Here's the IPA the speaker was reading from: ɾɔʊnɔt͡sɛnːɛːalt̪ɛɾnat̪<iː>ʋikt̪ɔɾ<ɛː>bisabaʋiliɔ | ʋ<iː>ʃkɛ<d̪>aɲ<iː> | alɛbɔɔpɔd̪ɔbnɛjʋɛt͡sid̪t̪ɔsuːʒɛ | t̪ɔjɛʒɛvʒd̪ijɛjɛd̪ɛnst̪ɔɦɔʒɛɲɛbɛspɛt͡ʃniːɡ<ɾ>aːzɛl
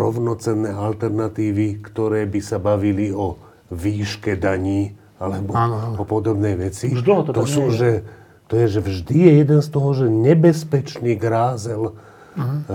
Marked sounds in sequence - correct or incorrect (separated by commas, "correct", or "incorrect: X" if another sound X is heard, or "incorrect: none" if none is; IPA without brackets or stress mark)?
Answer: correct, correct, correct, correct, correct, correct